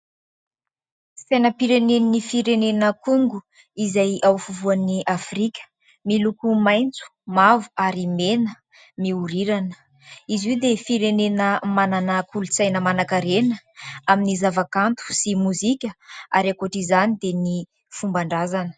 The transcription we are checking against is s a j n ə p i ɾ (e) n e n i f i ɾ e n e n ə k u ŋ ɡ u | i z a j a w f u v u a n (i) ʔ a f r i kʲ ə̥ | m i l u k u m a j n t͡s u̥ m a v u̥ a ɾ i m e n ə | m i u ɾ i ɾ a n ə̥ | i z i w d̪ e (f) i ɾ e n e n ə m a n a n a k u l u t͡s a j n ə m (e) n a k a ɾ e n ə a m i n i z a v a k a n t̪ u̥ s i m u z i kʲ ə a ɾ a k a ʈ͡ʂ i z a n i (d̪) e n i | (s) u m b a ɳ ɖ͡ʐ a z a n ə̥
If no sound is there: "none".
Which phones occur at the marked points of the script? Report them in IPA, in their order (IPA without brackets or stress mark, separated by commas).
e, i, f, a, d̪, f